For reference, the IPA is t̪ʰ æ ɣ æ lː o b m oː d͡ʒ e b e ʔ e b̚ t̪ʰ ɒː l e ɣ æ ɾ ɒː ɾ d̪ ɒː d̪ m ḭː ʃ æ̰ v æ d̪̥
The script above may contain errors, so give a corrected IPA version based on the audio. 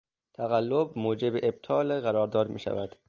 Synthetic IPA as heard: t̪ʰ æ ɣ æ lː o b m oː d͡ʒ e b e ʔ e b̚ t̪ʰ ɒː l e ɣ æ ɾ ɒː ɾ d̪ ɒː d̪ m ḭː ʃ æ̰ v æ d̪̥

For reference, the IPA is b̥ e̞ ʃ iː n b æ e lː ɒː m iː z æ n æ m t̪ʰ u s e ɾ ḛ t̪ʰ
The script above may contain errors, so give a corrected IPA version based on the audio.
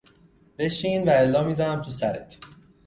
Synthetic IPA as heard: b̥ e̞ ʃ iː n v æ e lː ɒː m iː z æ n æ m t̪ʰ u s æ ɾ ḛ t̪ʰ

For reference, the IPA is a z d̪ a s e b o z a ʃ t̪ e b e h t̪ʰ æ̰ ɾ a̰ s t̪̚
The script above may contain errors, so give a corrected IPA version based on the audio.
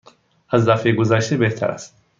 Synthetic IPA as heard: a z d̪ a f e ɡ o z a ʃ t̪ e b e h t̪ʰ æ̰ ɾ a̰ s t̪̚

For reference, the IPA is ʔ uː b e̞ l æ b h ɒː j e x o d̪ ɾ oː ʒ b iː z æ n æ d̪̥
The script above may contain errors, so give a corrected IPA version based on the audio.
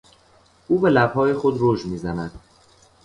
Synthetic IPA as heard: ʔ uː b e̞ l æ b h ɒː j e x o d̪ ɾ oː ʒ m iː z æ n æ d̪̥

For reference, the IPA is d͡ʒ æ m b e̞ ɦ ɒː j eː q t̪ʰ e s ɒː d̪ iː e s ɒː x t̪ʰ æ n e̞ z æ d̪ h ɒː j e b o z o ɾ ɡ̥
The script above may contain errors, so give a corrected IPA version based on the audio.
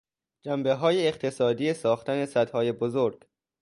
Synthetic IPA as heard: d͡ʒ æ m b e̞ ɦ ɒː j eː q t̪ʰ e s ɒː d̪ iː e s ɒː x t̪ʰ æ n e̞ s æ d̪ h ɒː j e b o z o ɾ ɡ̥

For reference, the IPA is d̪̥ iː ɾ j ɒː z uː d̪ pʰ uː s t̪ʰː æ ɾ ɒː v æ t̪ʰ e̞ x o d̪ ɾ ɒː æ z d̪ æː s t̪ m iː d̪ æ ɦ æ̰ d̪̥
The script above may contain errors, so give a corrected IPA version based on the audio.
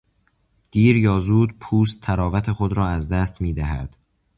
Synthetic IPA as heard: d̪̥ iː ɾ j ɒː z uː d̪ pʰ uː s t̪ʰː æ ɾ ɒː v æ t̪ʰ e̞ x o d̪ ɾ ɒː æ z d̪ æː s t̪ m iː d̪ æ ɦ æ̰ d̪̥

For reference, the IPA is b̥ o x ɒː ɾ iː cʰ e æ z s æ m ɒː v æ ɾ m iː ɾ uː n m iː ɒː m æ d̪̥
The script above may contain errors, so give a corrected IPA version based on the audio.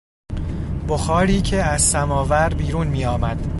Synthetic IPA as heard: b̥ o x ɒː ɾ iː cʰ e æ z s æ m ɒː v æ ɾ b iː ɾ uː n m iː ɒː m æ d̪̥

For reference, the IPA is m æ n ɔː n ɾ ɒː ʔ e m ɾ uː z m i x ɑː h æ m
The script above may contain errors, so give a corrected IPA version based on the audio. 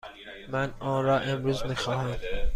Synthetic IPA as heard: m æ n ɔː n ɾ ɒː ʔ e m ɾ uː z m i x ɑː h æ m

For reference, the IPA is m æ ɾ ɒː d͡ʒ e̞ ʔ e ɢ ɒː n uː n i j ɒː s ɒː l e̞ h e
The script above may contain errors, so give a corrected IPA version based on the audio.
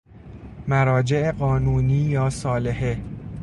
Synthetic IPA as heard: m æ ɾ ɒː d͡ʒ e̞ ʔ e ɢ ɒː n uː n iː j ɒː s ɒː l e̞ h e

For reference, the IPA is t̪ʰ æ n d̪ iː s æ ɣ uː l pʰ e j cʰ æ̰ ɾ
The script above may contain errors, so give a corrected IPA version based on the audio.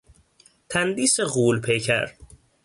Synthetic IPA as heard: t̪ʰ æ n d̪ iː s e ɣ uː l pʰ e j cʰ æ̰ ɾ

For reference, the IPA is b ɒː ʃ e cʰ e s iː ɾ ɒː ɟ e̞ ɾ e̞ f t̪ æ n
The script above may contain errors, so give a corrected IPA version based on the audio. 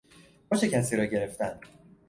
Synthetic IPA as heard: b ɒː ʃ e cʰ æ s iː ɾ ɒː ɟ e̞ ɾ e̞ f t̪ æ n

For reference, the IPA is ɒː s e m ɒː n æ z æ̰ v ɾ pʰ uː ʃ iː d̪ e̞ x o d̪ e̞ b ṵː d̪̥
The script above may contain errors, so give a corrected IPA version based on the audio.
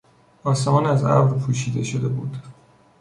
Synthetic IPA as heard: ɒː s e m ɒː n æ z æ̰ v ɾ pʰ uː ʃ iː d̪ e̞ ʃ o d̪ e̞ b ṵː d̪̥

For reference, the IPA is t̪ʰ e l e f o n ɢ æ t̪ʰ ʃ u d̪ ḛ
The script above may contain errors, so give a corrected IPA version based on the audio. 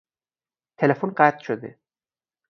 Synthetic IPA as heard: t̪ʰ e l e f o n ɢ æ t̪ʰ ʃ o d̪ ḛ

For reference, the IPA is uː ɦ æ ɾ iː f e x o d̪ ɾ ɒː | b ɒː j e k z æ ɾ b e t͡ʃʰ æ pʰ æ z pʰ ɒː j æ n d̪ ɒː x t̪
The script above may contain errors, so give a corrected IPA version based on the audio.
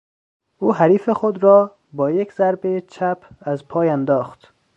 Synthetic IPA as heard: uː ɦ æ ɾ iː f e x o d̪ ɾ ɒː | b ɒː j e k z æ ɾ b e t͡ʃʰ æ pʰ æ z pʰ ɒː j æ n d̪ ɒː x t̪

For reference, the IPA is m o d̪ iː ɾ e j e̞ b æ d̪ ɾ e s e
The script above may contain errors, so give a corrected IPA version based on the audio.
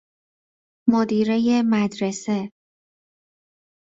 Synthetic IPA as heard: m o d̪ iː ɾ e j e̞ m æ d̪ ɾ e s e

